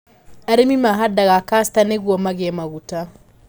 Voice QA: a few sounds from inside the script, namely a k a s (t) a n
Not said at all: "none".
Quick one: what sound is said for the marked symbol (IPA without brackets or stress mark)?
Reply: t